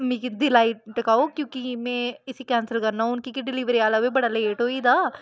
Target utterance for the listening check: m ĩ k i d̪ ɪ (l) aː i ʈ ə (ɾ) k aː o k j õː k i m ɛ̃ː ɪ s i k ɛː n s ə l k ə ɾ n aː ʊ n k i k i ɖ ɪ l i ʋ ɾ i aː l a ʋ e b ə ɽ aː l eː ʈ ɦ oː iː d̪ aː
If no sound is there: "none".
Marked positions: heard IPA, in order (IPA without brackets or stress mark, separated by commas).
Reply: l, none